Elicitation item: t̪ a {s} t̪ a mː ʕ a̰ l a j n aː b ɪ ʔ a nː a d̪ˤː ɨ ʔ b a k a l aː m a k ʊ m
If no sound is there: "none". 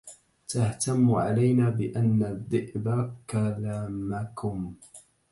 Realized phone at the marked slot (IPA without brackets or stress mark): h